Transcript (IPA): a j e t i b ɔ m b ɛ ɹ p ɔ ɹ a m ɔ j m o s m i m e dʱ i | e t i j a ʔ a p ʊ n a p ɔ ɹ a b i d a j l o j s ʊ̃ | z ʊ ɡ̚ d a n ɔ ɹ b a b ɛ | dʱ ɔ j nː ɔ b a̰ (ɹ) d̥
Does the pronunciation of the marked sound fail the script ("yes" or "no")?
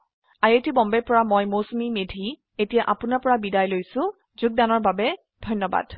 yes